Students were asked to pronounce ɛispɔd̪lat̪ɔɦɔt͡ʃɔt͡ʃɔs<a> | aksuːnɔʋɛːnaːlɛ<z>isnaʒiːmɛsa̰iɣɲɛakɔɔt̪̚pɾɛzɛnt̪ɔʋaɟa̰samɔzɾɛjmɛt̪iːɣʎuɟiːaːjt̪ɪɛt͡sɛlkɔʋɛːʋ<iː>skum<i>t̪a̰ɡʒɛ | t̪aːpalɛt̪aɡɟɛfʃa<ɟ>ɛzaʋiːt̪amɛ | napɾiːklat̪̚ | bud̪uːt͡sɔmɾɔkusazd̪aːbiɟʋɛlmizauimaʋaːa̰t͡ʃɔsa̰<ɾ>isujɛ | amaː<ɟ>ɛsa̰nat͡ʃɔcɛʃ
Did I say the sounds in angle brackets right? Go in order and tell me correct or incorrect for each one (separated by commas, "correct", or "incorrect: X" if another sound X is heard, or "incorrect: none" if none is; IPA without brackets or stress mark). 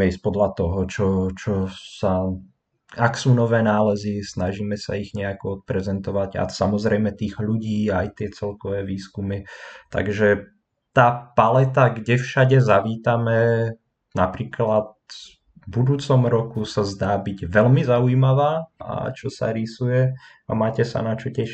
correct, correct, correct, correct, correct, correct, incorrect: c